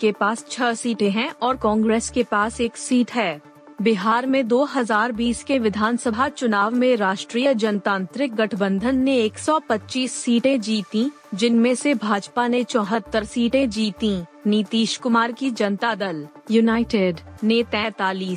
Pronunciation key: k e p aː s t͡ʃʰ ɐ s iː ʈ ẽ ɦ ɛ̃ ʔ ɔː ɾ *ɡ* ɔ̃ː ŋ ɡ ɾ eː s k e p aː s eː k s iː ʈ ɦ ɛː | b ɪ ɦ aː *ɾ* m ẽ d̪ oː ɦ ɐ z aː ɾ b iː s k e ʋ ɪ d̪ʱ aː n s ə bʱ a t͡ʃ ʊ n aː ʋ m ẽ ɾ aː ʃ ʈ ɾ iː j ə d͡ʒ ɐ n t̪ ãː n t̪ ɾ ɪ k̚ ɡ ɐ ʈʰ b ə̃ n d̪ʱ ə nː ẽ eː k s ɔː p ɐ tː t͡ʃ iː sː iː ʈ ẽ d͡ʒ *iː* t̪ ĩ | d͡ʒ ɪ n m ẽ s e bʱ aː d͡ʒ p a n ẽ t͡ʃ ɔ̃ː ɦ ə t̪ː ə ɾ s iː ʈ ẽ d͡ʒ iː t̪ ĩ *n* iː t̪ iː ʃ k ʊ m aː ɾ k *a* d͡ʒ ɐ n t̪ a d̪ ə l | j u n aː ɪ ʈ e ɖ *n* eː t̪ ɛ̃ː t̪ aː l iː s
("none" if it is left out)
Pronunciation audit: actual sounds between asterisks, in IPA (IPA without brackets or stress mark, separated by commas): k, ɾ, iː, n, i, n